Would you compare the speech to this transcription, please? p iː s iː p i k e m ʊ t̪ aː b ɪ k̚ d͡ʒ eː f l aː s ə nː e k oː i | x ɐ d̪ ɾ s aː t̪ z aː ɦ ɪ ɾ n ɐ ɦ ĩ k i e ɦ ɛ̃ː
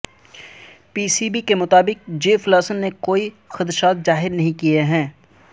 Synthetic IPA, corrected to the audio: p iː s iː b i k e m ʊ t̪ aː b ɪ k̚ d͡ʒ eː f l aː s ə nː e k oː i | x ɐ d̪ ɾ ʃ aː t̪ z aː ɦ ɪ ɾ n ɐ ɦ ĩ k i e ɦ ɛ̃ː

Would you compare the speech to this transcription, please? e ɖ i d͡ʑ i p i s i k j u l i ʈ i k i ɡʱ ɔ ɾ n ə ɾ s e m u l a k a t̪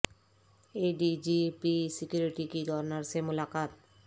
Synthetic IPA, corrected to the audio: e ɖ i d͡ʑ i p i s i k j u ɾ i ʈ i k i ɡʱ ɔ ɾ n a ɾ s e m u l a k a t̪

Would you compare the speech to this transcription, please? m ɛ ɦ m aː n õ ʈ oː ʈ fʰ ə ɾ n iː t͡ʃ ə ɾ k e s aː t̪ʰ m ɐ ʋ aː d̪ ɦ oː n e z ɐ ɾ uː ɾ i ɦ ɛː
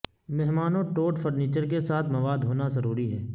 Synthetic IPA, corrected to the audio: m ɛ ɦ m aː n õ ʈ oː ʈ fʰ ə ɾ n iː t͡ʃ ə ɾ k e s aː t̪ʰ m ɐ ʋ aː d̪ ɦ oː n a z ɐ ɾ uː ɾ i ɦ ɛː

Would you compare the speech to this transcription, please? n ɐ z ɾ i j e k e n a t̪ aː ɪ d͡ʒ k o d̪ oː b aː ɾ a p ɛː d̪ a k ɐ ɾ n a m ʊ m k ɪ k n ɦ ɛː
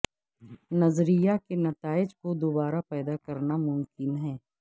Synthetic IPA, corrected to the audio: n ɐ z ɾ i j a k e n ɐ t̪ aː ɪ d͡ʒ k o d̪ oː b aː ɾ a p ɛː d̪ a k ɐ ɾ n a m ʊ m k ɪ n ɦ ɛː

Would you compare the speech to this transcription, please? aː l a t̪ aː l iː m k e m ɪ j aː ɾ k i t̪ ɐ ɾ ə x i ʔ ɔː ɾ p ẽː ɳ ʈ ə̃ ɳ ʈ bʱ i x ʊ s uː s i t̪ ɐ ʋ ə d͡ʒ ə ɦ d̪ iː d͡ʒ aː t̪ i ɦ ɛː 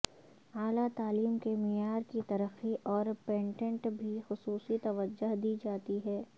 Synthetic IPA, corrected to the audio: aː l a t̪ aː l iː m k e m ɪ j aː ɾ k i t̪ ɐ ɾ ə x i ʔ ɔː ɾ p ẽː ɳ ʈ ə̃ ɳ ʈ bʱ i x ʊ s uː s i t̪ ɐ ʋ ə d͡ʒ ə ɦ d̪ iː d͡ʒ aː t̪ i ɦ ɛː

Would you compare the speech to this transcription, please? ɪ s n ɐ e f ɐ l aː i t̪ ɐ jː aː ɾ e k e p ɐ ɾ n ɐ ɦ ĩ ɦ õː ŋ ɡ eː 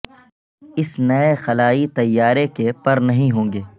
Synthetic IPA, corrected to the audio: ɪ s n ɐ e x ɐ l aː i t̪ ɐ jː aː ɾ e k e p ɐ ɾ n ɐ ɦ ĩ ɦ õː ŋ ɡ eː

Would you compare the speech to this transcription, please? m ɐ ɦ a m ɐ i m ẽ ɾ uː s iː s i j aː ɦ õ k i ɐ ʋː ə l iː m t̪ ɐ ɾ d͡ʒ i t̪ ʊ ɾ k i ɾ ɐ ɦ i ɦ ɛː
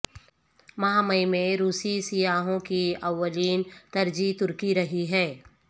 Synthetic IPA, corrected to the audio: m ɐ ɦ a m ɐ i m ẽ ɾ uː s i s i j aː ɦ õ k i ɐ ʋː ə l iː n t̪ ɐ ɾ d͡ʒ i t̪ ʊ ɾ k i ɾ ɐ ɦ i ɦ ɛː

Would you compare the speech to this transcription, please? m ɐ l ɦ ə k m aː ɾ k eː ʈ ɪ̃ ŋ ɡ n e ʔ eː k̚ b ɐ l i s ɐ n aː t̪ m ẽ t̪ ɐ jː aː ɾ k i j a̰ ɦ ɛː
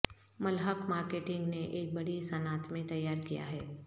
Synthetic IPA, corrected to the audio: m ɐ l ɦ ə k m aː ɾ k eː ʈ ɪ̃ ŋ ɡ n e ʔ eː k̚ b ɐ ɽ i s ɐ n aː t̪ m ẽ t̪ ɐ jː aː ɾ k i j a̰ ɦ ɛː

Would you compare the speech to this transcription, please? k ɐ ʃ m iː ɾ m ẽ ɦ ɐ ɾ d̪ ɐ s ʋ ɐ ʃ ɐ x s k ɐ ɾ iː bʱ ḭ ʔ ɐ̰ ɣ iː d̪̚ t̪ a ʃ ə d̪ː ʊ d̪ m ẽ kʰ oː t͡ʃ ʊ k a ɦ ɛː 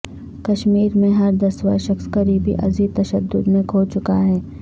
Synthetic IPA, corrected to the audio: k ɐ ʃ m iː ɾ m ẽ ɦ ɐ ɾ d̪ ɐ s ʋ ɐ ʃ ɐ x s k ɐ ɾ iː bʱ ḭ ʔ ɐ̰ z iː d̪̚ t̪ ɐ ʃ ə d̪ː ʊ d̪ m ẽ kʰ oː t͡ʃ ʊ k a ɦ ɛː

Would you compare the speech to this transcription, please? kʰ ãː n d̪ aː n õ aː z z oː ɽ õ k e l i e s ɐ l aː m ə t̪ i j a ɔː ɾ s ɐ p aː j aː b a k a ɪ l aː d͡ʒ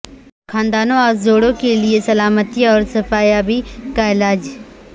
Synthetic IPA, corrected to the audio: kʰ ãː n d̪ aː n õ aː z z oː ɽ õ k e l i e s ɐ l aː m ə t̪ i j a ɔː ɾ s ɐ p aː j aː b i k a ɪ l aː d͡ʒ

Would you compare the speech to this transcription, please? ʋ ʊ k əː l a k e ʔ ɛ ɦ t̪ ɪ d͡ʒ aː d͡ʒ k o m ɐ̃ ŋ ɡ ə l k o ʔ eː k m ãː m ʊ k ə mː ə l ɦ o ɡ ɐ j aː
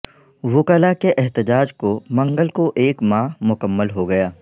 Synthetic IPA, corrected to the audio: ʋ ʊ k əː l a k e ʔ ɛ ɦ t̪ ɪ d͡ʒ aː d͡ʒ k o m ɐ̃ ŋ ɡ ə l k o ʔ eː k m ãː m ʊ k ə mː ə l ɦ o ɡ ɐ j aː

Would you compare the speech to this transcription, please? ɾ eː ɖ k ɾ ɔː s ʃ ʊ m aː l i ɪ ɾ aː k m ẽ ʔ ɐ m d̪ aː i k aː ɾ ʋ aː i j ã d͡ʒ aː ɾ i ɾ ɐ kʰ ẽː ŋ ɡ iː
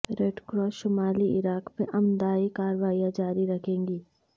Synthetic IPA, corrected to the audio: ɾ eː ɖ k ɾ ɔː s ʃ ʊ m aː l i ɪ ɾ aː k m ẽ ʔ ɐ m d̪ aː i k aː ɾ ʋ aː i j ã d͡ʒ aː ɾ i ɾ ɐ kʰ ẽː ŋ ɡ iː

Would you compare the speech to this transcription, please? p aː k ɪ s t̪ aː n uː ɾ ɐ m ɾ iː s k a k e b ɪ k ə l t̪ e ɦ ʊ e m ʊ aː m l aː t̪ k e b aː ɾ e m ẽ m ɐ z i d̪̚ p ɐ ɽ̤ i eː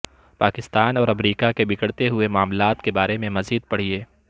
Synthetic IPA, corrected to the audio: p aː k ɪ s t̪ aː n ɔː ɾ ɐ m ɾ iː k a k e b ɪ k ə ɽ t̪ e ɦ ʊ e m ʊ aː m l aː t̪ k e b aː ɾ e m ẽ m ɐ z iː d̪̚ p ɐ ɽ̤ i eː

